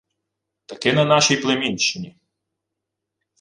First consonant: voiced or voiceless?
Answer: voiceless